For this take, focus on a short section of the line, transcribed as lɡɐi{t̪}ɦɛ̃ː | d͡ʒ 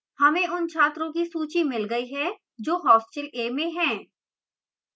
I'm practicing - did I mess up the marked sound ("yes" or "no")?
yes